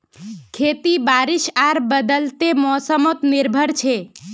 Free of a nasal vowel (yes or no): yes